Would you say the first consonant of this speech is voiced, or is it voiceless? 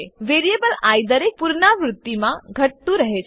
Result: voiced